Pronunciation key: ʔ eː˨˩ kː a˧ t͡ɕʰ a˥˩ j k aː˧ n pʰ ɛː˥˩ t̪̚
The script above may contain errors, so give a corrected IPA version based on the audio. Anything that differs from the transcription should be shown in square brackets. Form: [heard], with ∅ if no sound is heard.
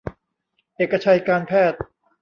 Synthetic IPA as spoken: ʔ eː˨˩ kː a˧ t͡ɕʰ [a˧] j k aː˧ n pʰ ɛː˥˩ t̪̚